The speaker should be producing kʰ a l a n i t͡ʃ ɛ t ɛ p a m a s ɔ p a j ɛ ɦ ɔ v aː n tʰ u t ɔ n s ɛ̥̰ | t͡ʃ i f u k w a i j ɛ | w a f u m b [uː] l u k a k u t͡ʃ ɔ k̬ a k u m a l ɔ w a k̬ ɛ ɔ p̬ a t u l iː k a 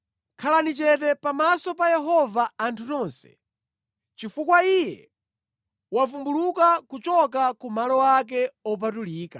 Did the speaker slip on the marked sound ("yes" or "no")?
yes